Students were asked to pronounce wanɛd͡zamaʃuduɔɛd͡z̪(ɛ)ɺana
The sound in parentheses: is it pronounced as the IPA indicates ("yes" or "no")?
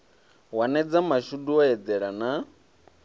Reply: yes